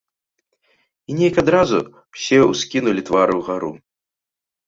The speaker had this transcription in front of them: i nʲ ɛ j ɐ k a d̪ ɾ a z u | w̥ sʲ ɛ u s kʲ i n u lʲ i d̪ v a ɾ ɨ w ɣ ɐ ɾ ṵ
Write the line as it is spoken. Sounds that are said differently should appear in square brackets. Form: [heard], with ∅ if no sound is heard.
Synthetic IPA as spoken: i nʲ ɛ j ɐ k a d̪ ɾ a z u | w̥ sʲ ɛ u s kʲ i n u lʲ i [t̪] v a ɾ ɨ w ɣ [a] ɾ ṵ

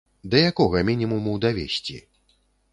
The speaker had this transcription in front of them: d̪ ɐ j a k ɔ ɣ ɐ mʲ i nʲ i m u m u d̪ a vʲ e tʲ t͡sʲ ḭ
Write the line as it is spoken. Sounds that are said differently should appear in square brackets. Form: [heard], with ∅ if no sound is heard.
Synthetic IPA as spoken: d̪ ɐ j a k ɔ ɣ ɐ mʲ i nʲ i m u m u d̪ a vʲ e [sʲ] t͡sʲ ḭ

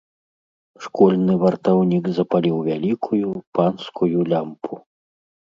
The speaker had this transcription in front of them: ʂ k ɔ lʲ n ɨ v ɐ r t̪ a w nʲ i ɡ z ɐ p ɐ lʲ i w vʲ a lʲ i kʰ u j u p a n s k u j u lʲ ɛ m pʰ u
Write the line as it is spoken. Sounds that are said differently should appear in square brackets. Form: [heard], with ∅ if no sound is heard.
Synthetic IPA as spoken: ʂ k ɔ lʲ n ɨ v ɐ r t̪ a w nʲ i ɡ z ɐ p [a] lʲ i w vʲ a lʲ i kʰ u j u p a n s k u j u lʲ [a] m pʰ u

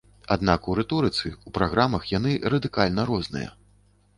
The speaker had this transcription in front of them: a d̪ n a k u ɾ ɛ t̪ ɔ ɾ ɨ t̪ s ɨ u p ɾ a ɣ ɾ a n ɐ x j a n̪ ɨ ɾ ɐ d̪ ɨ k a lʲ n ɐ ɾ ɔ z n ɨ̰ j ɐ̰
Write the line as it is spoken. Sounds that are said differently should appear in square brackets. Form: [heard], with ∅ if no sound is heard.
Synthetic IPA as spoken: a d̪ n a k u ɾ ɛ t̪ ɔ ɾ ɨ t̪ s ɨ u p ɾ a ɣ ɾ a [m] ɐ x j a n̪ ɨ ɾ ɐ d̪ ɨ k a lʲ n ɐ ɾ ɔ z n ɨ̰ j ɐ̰

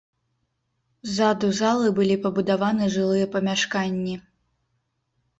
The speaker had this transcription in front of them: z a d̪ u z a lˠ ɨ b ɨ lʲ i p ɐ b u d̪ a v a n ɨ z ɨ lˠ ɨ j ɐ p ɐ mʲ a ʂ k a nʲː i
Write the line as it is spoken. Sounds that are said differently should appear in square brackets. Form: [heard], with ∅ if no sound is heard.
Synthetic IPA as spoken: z a d̪ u z a lˠ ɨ b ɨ lʲ i p ɐ b u d̪ a v a n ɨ [ʐ] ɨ lˠ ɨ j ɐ p ɐ mʲ a ʂ k a nʲː i

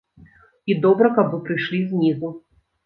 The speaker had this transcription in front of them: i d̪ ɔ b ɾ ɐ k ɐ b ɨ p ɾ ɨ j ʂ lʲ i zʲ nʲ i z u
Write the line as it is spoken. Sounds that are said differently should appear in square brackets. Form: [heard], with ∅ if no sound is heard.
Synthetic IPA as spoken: i d̪ ɔ b ɾ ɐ k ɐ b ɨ p ɾ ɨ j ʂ lʲ i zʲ nʲ i z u

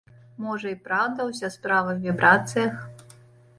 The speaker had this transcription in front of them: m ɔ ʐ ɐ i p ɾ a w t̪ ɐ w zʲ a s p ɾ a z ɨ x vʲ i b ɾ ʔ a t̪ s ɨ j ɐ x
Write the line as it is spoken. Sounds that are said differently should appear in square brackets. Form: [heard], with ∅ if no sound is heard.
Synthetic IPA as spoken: m ɔ ʐ ɐ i p ɾ a w [d̪] ɐ w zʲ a s p ɾ a [v] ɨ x vʲ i b ɾ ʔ a t̪ s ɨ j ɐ x

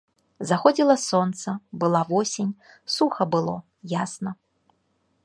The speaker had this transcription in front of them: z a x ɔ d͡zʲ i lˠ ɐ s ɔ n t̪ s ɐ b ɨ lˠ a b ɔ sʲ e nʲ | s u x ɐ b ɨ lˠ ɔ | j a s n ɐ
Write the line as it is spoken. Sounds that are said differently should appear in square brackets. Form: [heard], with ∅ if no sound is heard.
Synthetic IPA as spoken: z a x ɔ d͡zʲ i lˠ ɐ s ɔ n t̪ s ɐ b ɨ lˠ a [v] ɔ sʲ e nʲ | s u x ɐ b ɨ lˠ ɔ | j a s n ɐ

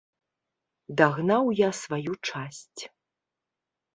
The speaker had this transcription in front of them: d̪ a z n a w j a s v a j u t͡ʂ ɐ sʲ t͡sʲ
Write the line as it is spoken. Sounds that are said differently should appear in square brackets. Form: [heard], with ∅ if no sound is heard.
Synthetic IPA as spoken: d̪ a [ɣ] n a w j a s v a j u t͡ʂ [a] sʲ t͡sʲ

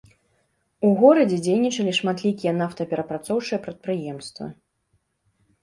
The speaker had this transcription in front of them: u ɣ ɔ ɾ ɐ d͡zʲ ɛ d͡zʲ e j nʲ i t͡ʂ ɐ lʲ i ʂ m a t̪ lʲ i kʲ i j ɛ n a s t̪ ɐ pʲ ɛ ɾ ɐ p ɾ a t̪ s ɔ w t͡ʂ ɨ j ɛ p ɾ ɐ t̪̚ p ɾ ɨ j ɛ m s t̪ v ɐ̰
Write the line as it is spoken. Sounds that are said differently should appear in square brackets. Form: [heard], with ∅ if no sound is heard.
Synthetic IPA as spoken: u ɣ ɔ ɾ ɐ d͡zʲ ɛ d͡zʲ e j nʲ i t͡ʂ ɐ lʲ i ʂ m a t̪ lʲ i kʲ i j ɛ n a [f] t̪ ɐ pʲ ɛ ɾ ɐ p ɾ a t̪ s ɔ w t͡ʂ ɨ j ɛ p ɾ ɐ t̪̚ p ɾ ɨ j ɛ m s t̪ v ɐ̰

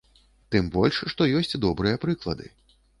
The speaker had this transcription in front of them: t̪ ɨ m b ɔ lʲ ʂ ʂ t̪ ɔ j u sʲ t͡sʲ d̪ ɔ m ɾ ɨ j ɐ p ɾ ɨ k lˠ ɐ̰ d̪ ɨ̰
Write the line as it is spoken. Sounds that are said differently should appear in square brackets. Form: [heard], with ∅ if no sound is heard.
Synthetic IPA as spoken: t̪ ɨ m b ɔ lʲ ʂ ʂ t̪ ɔ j [ɔ] sʲ t͡sʲ d̪ ɔ [b] ɾ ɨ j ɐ p ɾ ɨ k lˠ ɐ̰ d̪ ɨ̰

